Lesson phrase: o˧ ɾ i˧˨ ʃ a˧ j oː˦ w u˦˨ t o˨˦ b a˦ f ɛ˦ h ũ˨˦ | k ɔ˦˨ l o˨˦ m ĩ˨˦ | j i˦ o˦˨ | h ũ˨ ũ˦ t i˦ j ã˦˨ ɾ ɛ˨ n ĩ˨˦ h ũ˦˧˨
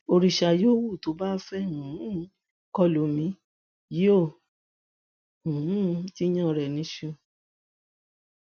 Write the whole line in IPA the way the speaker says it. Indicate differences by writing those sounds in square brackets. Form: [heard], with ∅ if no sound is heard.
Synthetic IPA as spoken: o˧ ɾ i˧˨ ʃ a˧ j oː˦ w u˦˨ t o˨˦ b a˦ f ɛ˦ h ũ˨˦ | k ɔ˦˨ l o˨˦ m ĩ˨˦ | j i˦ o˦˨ | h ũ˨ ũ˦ t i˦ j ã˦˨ ɾ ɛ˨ n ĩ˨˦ [ʃ] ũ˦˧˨

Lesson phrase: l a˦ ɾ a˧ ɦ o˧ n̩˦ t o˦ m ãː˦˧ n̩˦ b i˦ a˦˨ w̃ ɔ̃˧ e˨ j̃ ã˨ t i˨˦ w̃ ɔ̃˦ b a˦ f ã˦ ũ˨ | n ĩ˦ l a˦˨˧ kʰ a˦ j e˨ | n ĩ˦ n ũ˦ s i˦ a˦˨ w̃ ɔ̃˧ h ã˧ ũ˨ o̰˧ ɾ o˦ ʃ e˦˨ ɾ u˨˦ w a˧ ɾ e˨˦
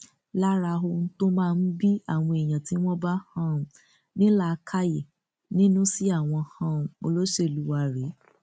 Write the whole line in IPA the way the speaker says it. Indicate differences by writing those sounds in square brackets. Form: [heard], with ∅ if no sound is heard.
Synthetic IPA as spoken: l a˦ ɾ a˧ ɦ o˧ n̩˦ t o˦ m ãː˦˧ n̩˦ b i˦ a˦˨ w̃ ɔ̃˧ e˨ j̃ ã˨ t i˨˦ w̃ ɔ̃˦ b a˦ [h] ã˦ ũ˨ | n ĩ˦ l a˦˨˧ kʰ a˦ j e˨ | n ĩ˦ n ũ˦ s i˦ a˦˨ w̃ ɔ̃˧ h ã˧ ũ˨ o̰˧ [l] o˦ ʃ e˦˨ [l] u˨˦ w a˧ ɾ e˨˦

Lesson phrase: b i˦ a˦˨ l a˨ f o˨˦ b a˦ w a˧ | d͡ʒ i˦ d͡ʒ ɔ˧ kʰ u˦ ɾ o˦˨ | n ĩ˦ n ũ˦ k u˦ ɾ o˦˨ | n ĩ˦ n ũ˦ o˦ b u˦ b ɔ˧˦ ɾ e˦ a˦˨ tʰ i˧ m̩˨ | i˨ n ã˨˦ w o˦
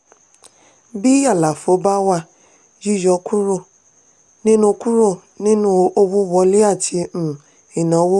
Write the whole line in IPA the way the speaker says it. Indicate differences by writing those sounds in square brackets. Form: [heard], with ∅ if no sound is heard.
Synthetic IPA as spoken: b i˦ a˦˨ l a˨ f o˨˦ b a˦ w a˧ | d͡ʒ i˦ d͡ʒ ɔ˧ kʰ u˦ ɾ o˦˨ | n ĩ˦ n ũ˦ k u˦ ɾ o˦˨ | n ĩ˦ n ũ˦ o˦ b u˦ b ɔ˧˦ [l] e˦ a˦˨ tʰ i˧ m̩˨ | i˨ n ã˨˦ w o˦

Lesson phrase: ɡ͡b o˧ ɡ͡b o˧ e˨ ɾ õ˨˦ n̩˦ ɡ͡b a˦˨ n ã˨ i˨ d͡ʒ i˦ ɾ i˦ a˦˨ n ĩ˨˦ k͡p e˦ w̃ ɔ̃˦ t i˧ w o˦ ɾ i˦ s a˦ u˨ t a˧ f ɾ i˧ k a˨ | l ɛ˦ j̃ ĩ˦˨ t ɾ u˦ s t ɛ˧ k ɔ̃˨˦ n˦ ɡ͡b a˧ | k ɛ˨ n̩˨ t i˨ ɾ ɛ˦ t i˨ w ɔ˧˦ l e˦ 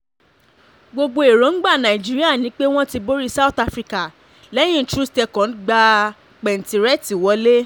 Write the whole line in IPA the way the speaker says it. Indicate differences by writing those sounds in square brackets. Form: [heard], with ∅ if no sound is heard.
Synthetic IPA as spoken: ɡ͡b o˧ ɡ͡b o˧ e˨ ɾ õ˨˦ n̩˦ ɡ͡b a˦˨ n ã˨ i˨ d͡ʒ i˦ ɾ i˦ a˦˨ n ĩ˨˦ k͡p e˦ w̃ ɔ̃˦ t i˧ [b] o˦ ɾ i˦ s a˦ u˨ t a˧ f ɾ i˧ k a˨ | l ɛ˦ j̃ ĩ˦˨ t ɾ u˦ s t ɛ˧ k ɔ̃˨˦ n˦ ɡ͡b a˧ | [k͡p] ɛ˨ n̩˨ t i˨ ɾ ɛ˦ t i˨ w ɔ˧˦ l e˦

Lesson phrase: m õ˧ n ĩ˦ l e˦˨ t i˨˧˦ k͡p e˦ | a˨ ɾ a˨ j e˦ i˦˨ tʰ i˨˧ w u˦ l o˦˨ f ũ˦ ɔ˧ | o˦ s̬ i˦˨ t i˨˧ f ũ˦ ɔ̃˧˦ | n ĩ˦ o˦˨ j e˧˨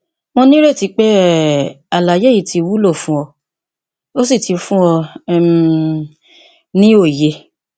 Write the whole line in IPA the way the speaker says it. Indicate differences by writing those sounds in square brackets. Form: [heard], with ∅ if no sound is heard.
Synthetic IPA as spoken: m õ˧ n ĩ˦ [ɾ] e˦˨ t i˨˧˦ k͡p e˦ | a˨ [l] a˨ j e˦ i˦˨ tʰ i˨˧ w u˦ l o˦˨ f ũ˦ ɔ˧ | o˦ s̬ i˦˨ t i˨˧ f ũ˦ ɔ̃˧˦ | n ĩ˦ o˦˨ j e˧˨

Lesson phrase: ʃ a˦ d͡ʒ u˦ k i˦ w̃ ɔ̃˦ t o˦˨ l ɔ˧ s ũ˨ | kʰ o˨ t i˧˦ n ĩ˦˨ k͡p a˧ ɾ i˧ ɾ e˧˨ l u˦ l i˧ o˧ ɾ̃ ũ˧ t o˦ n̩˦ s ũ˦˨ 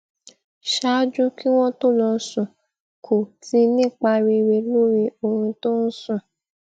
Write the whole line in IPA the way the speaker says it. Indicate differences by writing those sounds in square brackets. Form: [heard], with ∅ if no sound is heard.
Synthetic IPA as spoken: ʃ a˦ d͡ʒ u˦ k i˦ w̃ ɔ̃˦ t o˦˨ l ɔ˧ s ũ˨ | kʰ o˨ t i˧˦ n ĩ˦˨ k͡p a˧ ɾ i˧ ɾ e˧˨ l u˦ [ɾ] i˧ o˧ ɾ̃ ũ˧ t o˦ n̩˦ s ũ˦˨

